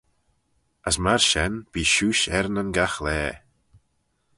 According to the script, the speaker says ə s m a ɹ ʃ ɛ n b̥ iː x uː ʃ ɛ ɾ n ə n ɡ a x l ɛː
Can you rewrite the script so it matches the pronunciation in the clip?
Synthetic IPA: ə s m a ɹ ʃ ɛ n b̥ iː ʃ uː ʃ ɛ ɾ n ə n ɡ a x l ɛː